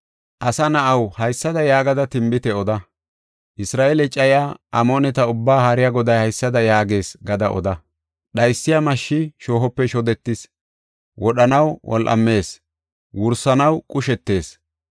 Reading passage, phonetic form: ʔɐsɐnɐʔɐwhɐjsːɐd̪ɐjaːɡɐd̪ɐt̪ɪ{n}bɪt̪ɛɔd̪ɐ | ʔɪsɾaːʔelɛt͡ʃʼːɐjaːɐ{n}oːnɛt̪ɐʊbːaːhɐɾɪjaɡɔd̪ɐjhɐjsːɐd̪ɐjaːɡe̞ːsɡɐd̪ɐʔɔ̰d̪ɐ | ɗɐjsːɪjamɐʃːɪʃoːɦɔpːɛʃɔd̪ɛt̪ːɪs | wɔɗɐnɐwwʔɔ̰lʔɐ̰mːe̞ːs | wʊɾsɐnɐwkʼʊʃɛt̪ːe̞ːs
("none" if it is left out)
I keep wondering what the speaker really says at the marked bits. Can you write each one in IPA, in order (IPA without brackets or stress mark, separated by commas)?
m, m